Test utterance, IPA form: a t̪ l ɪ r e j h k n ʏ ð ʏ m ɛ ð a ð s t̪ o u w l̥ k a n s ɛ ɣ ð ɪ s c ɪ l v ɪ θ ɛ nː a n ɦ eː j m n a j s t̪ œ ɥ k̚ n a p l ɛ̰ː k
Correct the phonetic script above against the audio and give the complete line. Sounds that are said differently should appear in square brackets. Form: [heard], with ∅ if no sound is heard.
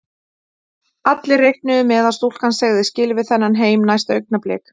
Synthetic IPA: a t̪ l ɪ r e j h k n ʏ ð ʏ m ɛ ð a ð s t̪ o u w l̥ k a n s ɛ ɣ ð ɪ s c ɪ l v ɪ θ ɛ nː a n ɦ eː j m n a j s t̪ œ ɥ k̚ n a p l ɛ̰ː k